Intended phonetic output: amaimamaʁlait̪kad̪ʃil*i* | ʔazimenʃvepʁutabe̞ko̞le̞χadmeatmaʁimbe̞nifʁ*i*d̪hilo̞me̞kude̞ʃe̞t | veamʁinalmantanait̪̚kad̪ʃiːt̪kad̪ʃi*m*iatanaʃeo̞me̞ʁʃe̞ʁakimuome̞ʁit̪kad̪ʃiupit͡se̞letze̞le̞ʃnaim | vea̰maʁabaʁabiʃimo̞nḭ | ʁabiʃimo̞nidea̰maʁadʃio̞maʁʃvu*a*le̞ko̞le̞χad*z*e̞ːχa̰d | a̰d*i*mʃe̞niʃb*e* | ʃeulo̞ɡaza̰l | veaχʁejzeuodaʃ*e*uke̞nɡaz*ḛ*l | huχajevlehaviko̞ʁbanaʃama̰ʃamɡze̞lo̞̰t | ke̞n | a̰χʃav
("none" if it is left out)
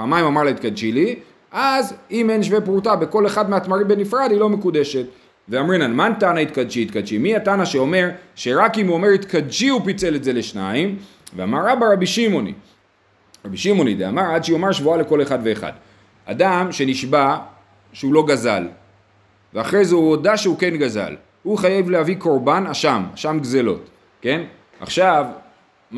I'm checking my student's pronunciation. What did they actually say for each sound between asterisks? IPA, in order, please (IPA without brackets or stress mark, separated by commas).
i, a, m, a, v, a, a, e, a̰